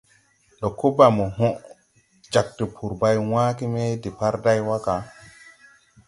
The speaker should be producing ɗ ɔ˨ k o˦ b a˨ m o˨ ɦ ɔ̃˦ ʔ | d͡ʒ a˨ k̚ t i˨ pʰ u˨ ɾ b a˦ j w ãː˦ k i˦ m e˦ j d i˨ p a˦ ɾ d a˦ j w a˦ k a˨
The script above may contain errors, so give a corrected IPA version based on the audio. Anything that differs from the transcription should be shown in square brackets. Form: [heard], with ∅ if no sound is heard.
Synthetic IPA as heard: ɗ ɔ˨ k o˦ b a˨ m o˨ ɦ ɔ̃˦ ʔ | d͡ʒ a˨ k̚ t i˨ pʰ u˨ ɾ b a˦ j w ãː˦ k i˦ m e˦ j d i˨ p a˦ ɾ d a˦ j w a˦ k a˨